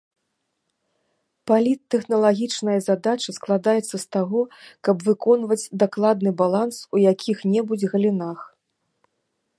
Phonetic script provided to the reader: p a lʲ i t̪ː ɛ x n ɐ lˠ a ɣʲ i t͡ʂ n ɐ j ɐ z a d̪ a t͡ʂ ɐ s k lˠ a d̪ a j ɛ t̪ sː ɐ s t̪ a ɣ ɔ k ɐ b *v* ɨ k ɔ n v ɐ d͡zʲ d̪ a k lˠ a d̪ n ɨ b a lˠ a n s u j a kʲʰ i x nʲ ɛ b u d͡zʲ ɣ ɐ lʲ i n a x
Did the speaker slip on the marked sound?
no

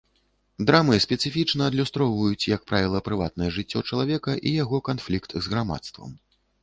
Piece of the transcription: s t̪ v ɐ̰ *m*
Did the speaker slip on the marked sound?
no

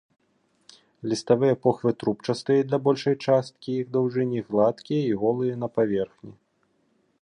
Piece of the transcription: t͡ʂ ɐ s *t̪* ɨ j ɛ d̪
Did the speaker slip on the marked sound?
no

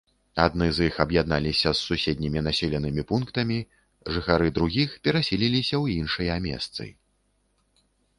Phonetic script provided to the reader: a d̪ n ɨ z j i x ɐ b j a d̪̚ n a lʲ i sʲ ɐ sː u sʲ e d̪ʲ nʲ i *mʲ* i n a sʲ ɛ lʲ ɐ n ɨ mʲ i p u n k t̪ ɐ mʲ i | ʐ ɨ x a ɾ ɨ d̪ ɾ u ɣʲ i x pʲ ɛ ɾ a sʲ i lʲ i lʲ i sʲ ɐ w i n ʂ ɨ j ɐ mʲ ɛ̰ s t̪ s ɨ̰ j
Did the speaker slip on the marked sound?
no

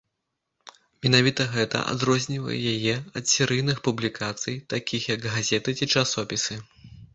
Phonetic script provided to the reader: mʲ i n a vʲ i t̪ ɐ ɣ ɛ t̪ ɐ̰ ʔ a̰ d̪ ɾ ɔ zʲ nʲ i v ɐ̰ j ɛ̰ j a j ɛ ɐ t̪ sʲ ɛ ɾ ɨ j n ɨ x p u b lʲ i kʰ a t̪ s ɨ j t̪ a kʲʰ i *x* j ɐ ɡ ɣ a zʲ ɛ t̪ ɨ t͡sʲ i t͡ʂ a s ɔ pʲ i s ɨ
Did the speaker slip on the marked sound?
no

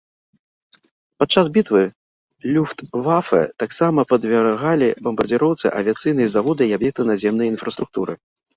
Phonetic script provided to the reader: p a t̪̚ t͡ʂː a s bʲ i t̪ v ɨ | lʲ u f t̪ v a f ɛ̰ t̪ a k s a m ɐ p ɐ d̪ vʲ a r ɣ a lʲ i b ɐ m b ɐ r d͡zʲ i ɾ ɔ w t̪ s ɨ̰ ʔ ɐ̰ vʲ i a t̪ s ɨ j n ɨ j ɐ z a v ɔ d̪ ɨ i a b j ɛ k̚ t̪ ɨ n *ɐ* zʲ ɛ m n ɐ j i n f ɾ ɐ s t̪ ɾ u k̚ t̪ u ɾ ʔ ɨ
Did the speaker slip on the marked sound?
yes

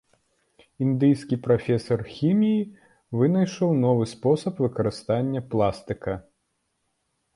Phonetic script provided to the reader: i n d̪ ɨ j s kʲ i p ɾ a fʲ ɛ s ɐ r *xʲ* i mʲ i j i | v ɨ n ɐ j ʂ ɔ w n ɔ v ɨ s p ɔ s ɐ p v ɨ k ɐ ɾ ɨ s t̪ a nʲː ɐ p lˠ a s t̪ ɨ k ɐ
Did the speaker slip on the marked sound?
no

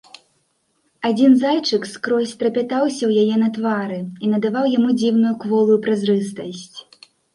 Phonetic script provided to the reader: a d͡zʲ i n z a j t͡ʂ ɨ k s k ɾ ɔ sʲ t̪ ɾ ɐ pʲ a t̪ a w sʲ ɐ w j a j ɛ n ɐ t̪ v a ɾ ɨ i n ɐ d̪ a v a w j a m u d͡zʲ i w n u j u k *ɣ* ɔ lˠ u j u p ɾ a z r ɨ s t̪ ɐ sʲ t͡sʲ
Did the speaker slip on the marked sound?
yes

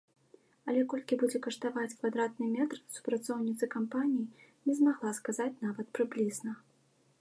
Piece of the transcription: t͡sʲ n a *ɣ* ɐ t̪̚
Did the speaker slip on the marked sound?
yes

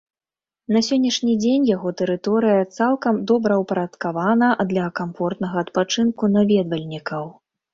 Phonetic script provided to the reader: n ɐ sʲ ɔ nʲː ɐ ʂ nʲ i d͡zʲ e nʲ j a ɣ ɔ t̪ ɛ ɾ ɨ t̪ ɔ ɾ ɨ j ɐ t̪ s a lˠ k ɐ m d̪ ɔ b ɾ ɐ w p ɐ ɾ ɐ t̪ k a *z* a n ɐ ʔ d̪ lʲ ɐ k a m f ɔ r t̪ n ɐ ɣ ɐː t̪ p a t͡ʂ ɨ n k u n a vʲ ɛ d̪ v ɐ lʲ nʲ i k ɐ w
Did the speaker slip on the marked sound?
yes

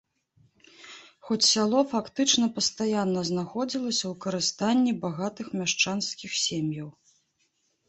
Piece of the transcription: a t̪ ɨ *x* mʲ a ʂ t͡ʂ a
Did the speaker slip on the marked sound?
no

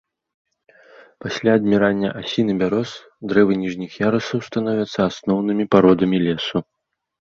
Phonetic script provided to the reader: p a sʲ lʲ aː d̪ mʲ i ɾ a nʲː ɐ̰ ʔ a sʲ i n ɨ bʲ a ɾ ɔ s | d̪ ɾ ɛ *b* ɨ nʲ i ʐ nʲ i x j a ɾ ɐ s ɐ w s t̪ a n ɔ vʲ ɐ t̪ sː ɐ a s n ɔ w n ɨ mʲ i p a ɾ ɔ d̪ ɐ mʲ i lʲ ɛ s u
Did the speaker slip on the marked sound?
yes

